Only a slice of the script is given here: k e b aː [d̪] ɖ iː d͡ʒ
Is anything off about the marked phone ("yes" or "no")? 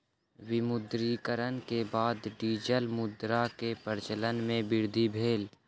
no